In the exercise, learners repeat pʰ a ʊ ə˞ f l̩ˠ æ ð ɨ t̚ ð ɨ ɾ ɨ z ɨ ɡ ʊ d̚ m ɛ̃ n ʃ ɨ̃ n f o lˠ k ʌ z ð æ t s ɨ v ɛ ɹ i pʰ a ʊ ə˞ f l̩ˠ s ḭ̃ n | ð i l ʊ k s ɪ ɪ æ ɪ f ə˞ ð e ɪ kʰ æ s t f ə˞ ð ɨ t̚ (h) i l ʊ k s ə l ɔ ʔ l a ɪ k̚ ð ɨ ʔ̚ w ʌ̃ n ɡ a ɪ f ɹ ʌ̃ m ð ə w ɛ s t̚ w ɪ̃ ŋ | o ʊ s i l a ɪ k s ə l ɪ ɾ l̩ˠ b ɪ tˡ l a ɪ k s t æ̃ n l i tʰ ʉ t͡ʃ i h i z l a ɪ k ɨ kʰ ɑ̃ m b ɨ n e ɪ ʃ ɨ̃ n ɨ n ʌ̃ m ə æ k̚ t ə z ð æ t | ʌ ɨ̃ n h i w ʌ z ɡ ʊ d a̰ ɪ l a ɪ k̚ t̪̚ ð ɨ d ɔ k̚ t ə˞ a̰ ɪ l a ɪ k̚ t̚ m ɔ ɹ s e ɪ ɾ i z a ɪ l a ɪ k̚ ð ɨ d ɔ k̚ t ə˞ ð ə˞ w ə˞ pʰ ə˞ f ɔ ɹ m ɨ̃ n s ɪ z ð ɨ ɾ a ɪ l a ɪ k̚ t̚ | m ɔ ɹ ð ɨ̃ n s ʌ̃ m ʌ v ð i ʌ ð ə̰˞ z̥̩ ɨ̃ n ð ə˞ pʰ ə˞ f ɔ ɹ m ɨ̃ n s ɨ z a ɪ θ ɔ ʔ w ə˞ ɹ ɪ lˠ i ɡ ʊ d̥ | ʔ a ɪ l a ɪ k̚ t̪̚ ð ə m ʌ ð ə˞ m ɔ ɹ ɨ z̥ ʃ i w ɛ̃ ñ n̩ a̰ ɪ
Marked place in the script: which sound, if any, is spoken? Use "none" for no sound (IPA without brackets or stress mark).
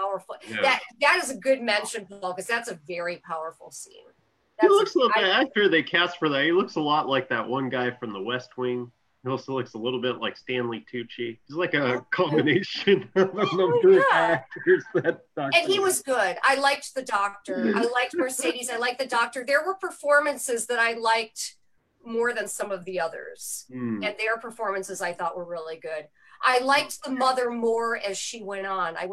h